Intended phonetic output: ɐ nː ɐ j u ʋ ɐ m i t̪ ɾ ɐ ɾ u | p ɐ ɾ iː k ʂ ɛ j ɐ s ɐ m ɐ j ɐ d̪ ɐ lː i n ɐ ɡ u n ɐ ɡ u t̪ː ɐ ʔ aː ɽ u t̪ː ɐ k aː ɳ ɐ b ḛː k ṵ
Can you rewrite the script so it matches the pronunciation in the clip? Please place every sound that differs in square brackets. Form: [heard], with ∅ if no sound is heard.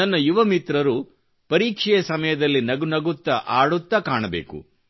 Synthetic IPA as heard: ɐ nː ɐ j u ʋ ɐ m i t̪ ɾ ɐ ɾ u | p ɐ ɾ iː k ʂ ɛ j ɐ s ɐ m ɐ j ɐ d̪ ɐ lː i n ɐ ɡ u n ɐ ɡ u t̪ː ɐ ʔ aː ɽ u t̪ː ɐ k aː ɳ ɐ b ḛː k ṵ